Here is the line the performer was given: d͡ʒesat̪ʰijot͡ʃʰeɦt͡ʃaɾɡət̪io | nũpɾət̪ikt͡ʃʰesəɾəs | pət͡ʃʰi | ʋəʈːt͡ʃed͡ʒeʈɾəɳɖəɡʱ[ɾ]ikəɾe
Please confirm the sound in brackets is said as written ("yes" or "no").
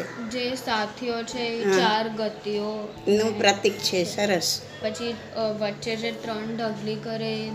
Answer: no